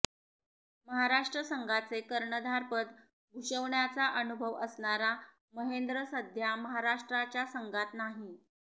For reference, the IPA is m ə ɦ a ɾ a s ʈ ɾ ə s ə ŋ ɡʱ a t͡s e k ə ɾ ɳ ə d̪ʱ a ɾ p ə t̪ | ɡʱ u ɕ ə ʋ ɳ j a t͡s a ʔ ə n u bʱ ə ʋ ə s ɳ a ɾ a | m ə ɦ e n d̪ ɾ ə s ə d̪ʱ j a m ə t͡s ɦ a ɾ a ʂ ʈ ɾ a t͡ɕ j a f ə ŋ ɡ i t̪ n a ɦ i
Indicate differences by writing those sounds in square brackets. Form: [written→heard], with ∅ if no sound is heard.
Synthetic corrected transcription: m ə ɦ a ɾ a [s→ʂ] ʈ ɾ ə s ə ŋ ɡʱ a t͡s e k ə ɾ ɳ ə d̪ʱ a ɾ p ə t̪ | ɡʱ u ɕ ə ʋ ɳ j a t͡s a ʔ ə n u bʱ ə ʋ ə s ɳ a ɾ a | m ə ɦ e n d̪ ɾ ə s ə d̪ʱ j a m ə [t͡s→∅] ɦ a ɾ a ʂ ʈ ɾ a t͡ɕ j a [f→s] ə ŋ ɡ [i→a] t̪ n a ɦ i